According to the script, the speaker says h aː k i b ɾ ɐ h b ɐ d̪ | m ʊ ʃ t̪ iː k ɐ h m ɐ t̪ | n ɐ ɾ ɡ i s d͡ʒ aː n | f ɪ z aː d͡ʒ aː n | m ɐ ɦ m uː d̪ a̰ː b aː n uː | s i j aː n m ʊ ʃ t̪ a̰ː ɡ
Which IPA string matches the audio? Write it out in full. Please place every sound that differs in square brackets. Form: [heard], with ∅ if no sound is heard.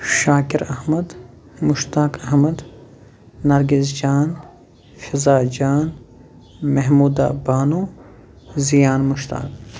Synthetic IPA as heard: [ʃ] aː k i [∅] ɾ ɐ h [m] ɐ d̪ | m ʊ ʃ t̪ [aː] k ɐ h m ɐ [d̪] | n ɐ ɾ ɡ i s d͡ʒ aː n | f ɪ z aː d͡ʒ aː n | m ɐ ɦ m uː d̪ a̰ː b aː n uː | [z] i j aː n m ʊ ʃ t̪ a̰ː [k]